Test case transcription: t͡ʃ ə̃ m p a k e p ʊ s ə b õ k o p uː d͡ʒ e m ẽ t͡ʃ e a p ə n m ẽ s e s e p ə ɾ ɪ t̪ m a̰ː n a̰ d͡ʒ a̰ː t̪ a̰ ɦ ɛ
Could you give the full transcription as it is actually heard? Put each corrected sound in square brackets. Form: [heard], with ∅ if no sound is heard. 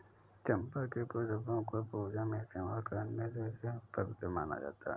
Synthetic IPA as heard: t͡ʃ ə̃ m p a k e p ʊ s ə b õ k o p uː d͡ʒ [a] m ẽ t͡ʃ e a [k] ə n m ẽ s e s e p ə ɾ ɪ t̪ m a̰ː n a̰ d͡ʒ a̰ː t̪ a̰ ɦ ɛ